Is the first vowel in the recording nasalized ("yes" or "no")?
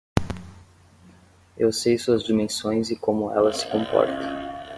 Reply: no